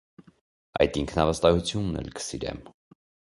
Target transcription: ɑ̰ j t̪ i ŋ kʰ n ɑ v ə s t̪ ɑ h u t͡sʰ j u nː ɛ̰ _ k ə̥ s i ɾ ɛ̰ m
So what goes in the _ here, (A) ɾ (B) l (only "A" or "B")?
B